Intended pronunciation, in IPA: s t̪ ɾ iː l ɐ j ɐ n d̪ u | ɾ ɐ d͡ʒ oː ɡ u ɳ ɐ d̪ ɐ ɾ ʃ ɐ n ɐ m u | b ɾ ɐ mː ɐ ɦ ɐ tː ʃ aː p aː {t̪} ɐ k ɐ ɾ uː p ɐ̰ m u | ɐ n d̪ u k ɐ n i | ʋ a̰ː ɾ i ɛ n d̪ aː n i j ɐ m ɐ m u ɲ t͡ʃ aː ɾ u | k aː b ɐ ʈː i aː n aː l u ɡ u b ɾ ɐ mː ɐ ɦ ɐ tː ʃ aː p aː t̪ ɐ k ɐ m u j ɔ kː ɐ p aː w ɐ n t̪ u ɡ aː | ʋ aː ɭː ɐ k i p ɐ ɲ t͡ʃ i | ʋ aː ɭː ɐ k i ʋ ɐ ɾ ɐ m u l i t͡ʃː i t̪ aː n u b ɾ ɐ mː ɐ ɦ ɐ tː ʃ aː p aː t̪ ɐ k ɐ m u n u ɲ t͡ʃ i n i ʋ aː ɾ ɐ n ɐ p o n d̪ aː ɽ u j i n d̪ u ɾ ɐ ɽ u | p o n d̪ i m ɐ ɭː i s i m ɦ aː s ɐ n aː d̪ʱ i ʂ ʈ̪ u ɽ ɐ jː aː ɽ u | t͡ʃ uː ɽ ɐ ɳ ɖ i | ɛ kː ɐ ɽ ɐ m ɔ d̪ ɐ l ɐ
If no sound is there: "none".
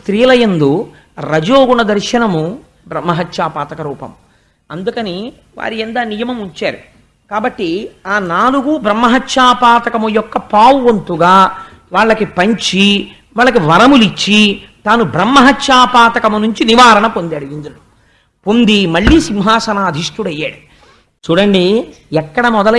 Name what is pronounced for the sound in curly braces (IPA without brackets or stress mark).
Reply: t̪